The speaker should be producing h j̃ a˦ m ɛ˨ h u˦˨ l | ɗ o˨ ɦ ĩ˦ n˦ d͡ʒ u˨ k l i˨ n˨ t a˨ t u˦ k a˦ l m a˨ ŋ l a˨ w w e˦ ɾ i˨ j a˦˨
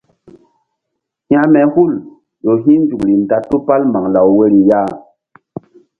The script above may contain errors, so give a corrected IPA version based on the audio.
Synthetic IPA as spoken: h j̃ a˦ m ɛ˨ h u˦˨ l | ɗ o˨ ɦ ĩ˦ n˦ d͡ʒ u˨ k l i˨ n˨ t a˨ t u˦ p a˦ l m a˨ ŋ l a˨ w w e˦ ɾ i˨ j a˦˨